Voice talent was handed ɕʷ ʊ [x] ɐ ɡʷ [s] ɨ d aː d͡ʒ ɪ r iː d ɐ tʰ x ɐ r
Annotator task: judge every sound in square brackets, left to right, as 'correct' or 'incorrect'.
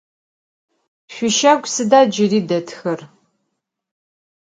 incorrect, correct

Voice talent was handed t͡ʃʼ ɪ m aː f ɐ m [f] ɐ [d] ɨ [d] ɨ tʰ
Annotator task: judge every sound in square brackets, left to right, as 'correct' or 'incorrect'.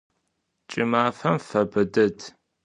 correct, incorrect, correct

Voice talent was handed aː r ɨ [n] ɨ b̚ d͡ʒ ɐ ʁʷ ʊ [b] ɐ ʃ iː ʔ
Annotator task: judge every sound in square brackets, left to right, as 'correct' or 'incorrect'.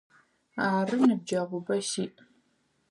correct, correct

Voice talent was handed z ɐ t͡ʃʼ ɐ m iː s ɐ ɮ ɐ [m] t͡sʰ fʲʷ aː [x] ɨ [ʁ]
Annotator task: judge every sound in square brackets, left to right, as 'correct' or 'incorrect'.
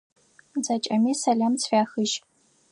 correct, correct, incorrect

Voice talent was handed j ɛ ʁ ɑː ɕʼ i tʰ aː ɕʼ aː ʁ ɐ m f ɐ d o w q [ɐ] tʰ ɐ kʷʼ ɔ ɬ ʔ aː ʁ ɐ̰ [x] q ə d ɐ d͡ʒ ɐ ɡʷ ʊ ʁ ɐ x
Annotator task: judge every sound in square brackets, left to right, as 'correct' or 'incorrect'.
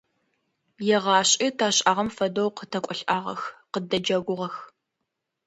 incorrect, correct

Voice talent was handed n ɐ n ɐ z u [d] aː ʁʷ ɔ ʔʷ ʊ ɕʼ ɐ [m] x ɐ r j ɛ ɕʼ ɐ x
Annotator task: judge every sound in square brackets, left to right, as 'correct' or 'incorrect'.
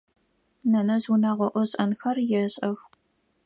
incorrect, incorrect

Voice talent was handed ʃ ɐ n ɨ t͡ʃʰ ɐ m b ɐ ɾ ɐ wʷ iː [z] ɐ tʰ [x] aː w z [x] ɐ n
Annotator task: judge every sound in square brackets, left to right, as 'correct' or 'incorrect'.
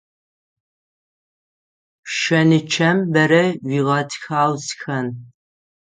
incorrect, correct, correct

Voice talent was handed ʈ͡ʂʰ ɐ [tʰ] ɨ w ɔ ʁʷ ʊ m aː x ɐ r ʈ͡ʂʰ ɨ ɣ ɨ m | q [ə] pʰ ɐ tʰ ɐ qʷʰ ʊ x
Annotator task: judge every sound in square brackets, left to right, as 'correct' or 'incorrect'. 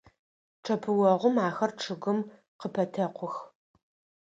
incorrect, correct

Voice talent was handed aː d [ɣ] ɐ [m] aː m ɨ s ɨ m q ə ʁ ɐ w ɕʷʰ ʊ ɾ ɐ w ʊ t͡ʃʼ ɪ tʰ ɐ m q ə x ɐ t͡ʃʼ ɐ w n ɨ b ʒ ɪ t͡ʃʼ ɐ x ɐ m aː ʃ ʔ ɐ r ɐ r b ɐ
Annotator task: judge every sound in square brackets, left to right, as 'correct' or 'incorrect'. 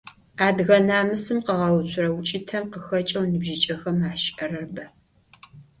correct, incorrect

